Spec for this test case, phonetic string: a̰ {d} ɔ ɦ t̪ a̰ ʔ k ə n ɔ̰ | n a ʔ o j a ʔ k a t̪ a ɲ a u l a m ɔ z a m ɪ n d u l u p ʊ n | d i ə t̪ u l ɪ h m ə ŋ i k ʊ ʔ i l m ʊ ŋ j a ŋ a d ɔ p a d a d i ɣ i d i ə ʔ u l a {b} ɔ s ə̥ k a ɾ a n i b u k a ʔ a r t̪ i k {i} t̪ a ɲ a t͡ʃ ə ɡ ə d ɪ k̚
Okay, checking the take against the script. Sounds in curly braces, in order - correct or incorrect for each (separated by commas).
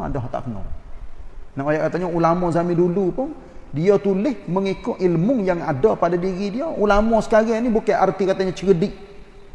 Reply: correct, incorrect, incorrect